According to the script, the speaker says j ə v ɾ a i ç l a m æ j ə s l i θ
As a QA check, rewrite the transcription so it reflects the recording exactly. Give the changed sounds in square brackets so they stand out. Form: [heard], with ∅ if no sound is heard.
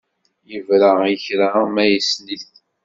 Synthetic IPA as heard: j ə v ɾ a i ç [ɾ] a m æ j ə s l i θ